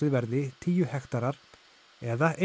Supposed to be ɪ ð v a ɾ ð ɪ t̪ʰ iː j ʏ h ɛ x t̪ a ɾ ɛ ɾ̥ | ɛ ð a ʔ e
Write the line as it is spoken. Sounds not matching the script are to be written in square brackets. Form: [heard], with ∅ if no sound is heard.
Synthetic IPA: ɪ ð v [ɛ] ɾ ð ɪ t̪ʰ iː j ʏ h ɛ x t̪ a ɾ [a] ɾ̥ | ɛ ð a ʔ e